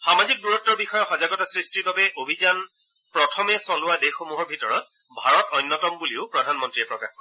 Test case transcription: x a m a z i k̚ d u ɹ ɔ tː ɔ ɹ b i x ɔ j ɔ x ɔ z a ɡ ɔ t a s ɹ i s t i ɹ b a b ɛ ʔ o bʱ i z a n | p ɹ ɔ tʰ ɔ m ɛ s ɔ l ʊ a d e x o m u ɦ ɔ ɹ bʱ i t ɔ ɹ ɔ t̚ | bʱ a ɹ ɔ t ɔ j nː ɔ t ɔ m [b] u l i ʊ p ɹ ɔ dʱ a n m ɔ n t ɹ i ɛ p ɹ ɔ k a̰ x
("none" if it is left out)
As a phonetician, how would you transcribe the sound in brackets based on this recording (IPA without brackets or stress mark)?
b